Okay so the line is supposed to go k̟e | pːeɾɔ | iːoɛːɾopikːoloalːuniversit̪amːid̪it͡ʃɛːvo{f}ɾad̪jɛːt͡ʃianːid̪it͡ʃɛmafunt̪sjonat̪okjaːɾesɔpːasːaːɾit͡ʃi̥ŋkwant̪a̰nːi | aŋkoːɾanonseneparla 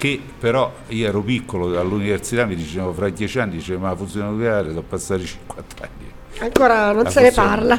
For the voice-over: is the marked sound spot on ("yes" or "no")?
yes